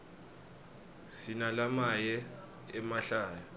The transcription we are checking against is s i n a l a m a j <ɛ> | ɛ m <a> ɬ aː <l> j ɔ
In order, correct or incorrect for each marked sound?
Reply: correct, correct, incorrect: none

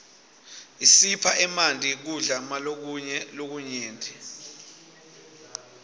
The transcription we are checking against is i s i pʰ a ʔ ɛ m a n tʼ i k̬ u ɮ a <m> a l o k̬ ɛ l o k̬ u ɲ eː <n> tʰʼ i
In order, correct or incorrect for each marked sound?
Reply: correct, correct

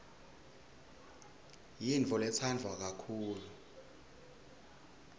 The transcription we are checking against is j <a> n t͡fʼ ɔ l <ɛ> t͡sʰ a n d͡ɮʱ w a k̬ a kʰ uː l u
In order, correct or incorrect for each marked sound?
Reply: incorrect: i, correct

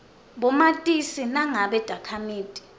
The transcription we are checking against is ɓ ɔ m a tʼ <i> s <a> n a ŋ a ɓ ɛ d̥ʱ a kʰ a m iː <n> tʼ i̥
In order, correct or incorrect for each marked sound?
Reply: correct, incorrect: i, incorrect: none

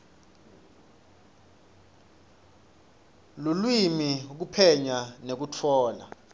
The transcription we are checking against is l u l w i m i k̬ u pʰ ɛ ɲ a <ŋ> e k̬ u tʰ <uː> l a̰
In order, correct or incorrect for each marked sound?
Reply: incorrect: n, incorrect: ɔː

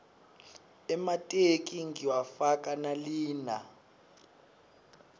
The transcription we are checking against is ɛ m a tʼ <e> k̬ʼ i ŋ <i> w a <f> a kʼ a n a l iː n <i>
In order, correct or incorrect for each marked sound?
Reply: correct, correct, correct, incorrect: a

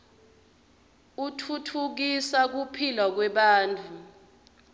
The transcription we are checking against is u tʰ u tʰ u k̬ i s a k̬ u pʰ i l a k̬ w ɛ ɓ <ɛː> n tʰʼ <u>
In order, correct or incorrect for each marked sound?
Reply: incorrect: aː, correct

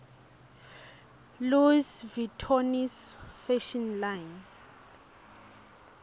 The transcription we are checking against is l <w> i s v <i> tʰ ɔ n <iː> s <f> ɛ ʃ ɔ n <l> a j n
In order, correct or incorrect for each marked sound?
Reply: incorrect: u, correct, incorrect: i, correct, correct

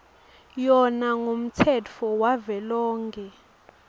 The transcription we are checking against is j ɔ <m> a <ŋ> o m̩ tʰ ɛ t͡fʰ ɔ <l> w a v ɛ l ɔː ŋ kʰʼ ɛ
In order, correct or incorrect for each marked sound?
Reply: incorrect: n, correct, incorrect: none

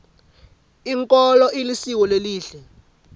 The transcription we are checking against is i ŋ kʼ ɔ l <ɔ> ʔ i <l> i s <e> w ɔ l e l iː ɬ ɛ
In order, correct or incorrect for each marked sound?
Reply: correct, correct, incorrect: i

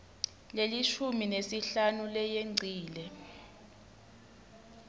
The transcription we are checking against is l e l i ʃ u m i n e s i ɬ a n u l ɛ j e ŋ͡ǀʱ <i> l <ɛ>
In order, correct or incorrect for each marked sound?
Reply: incorrect: iː, correct

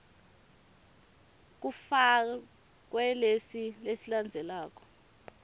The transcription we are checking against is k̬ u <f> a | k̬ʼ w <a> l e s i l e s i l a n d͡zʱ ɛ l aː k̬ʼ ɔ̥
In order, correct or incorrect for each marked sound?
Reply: correct, incorrect: ɛ

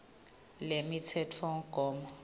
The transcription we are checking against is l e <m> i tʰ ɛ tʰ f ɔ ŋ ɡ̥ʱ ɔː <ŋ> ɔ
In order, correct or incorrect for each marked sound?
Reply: correct, incorrect: m

